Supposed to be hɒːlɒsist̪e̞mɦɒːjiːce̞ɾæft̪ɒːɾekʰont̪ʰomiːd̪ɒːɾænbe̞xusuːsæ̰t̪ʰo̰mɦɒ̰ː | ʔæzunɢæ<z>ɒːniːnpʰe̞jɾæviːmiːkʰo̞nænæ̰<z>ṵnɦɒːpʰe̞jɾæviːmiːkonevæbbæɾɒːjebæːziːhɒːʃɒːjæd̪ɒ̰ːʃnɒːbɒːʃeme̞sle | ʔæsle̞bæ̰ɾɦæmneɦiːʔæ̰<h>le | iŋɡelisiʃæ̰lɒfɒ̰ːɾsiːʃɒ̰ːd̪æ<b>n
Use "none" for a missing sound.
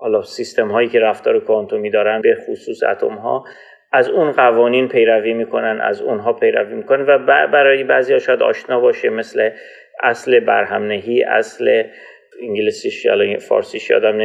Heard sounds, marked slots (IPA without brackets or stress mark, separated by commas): v, z, s, m